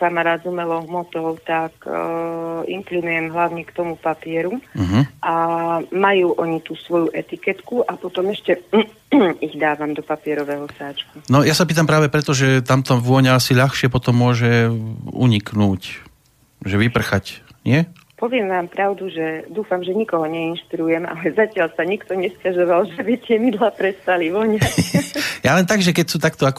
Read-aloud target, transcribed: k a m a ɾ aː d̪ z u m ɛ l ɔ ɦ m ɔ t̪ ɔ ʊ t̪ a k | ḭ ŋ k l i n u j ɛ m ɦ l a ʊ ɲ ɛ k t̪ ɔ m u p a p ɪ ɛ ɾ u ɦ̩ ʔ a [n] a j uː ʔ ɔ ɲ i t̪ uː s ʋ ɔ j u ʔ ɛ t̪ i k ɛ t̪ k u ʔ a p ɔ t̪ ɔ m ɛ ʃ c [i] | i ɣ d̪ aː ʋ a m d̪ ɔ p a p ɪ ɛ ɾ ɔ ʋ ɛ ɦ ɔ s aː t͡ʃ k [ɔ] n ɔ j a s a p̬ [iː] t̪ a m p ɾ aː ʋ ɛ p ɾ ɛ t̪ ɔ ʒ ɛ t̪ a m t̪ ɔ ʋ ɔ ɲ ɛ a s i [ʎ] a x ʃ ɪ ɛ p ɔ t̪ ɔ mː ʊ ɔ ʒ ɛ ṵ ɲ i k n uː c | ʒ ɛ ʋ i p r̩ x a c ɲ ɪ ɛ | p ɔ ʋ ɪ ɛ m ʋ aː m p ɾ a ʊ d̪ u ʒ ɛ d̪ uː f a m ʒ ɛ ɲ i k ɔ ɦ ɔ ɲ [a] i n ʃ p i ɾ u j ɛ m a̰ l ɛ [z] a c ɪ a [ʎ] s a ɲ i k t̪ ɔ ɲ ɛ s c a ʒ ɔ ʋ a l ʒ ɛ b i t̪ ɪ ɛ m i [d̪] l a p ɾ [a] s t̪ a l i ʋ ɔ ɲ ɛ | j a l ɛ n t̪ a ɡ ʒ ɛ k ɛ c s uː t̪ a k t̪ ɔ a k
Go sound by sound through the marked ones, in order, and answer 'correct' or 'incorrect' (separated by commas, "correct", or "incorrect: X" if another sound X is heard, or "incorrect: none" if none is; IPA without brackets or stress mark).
incorrect: m, incorrect: ɛ, incorrect: u, correct, correct, incorrect: ɛ, correct, incorrect: l, correct, incorrect: ɛ